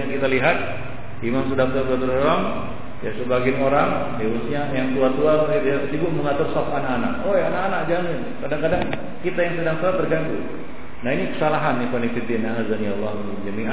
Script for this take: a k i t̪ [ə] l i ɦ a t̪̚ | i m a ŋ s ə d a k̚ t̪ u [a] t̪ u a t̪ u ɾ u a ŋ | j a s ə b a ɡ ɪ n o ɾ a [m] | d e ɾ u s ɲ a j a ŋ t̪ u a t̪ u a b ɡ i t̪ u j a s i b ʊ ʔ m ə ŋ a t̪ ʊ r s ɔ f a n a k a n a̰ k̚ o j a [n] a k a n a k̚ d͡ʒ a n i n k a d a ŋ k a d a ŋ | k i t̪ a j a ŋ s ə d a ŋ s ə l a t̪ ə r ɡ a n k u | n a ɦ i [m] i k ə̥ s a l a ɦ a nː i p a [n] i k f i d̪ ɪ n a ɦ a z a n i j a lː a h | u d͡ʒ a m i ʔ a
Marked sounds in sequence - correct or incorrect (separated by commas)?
incorrect, correct, incorrect, correct, incorrect, correct